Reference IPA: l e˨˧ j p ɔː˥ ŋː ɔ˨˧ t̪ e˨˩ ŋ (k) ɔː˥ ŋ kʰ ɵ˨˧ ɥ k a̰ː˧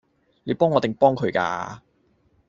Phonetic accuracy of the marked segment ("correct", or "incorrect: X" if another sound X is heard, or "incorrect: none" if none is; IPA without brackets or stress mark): incorrect: p